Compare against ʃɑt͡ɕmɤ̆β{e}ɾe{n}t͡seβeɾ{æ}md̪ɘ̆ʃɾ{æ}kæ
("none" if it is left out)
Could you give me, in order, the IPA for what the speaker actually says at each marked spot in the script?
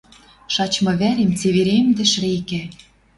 æ, m, e, e

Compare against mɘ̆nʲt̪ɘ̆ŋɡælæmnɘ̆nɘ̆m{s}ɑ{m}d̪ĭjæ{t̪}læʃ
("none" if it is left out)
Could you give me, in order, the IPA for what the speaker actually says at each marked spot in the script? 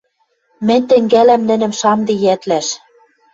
ʃ, m, t̪

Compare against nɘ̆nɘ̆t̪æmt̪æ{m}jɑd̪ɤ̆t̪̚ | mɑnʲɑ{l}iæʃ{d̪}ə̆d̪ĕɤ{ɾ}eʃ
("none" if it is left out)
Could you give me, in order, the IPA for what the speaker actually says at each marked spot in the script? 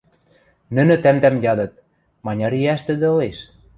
m, ɾ, t̪, l

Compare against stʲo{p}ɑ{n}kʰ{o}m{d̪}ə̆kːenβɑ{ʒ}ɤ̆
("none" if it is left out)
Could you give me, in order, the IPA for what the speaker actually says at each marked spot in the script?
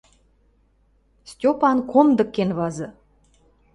p, n, o, d̪, z

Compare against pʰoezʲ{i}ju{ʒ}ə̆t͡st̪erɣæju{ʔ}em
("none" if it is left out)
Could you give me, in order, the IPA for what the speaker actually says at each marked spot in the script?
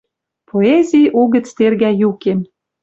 i, ɣ, k

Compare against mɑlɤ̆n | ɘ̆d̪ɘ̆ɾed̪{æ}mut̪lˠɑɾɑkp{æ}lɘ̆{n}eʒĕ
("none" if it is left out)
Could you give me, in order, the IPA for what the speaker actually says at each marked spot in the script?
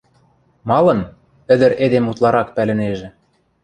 e, æ, n

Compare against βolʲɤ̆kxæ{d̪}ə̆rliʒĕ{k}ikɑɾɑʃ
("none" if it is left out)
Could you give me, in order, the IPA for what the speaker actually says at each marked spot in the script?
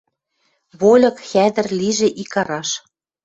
d̪, ʔ

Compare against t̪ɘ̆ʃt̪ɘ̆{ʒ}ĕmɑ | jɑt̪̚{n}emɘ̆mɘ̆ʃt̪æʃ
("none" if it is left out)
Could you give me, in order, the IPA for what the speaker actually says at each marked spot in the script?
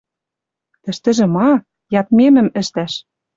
ʒ, m

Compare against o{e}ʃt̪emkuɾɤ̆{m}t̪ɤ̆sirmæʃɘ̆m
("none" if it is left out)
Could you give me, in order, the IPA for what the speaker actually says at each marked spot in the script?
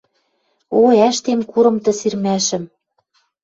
æ, m

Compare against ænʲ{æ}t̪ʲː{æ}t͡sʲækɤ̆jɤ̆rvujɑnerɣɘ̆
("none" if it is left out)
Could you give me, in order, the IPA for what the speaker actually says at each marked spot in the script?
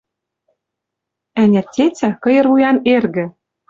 æ, e

